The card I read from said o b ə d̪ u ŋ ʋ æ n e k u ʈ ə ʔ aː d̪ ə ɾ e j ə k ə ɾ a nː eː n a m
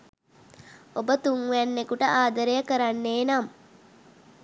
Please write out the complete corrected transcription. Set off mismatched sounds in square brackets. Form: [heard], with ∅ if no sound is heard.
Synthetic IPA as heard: o b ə [t̪] u ŋ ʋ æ [nː] e k u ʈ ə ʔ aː d̪ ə ɾ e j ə k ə ɾ a nː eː n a m

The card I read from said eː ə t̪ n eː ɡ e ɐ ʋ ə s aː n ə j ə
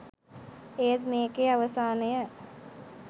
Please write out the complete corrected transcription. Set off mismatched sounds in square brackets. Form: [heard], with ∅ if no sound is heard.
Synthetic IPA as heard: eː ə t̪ [m] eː [k] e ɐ ʋ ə s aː n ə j ə

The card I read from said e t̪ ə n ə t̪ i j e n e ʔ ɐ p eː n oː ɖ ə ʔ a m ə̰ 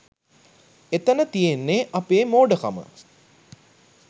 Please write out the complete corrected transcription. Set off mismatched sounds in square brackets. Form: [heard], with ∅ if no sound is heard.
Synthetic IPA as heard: e t̪ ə n ə t̪ i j e [nː] e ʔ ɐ p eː [m] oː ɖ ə [k] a m ə̰

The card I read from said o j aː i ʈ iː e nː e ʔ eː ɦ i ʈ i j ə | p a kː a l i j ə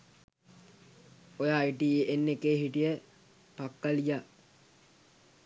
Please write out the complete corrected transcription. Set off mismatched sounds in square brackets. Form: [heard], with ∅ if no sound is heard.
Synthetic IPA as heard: o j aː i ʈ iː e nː e [k] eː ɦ i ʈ i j ə | p a kː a l i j [a]

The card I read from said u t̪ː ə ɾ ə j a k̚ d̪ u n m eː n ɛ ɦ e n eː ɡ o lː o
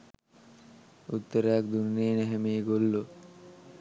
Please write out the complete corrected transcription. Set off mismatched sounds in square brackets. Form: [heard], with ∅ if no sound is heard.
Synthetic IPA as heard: u t̪ː ə ɾ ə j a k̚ d̪ u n [n] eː n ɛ ɦ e [m] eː ɡ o lː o

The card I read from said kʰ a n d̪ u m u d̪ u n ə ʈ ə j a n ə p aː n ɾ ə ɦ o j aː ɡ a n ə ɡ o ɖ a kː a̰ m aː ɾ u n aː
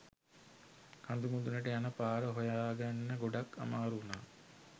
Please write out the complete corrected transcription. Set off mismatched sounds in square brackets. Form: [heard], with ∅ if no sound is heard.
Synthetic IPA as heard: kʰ a n d̪ u m u d̪ u n ə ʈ ə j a n ə p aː [∅] ɾ ə ɦ o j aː ɡ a [nː] ə ɡ o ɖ a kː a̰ m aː ɾ u n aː

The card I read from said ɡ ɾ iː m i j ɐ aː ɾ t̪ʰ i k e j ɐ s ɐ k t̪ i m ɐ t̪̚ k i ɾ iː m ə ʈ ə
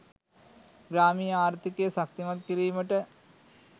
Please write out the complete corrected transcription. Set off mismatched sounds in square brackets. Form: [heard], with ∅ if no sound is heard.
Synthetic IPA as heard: ɡ ɾ [aː] m i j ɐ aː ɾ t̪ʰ i k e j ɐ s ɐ k t̪ i m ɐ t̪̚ k i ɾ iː m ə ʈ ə

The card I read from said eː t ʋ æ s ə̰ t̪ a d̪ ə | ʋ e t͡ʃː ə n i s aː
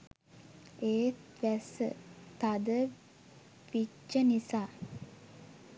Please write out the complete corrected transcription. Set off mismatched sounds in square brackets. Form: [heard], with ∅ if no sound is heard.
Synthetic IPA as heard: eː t ʋ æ s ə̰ t̪ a d̪ ə | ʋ [i] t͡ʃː ə n i s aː

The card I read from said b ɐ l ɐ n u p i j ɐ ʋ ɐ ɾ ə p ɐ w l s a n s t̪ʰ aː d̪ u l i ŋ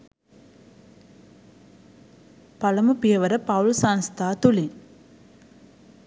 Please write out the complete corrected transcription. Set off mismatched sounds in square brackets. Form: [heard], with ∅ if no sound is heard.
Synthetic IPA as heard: [p] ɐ l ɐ [m] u p i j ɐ ʋ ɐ ɾ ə p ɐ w l s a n s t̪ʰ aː [t̪] u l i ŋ

